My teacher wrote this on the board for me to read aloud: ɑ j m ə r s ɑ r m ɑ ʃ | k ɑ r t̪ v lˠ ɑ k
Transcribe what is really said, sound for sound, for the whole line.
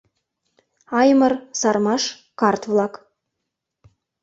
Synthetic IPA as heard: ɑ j m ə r s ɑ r m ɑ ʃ | k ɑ r t̪ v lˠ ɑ k